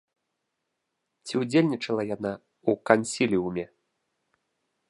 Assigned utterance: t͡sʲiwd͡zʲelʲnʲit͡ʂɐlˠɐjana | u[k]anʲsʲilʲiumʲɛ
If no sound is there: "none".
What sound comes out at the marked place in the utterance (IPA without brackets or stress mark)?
k